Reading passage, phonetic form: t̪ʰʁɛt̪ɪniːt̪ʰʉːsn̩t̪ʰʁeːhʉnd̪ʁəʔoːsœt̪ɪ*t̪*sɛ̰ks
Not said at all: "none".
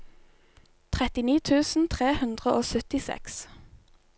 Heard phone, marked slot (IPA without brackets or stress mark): none